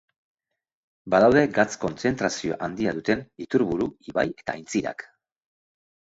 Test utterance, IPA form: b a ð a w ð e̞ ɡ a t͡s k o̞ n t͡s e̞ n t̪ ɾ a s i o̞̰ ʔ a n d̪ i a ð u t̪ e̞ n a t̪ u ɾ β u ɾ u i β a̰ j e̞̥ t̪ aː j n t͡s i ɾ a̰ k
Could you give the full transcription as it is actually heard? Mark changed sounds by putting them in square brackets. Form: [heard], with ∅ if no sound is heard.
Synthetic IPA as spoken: b a ð a w ð e̞ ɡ a t͡s k o̞ n t͡s e̞ n t̪ ɾ a s i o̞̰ ʔ a n d̪ i a ð u t̪ e̞ n [i] t̪ u ɾ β u ɾ u i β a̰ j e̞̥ t̪ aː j n t͡s i ɾ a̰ k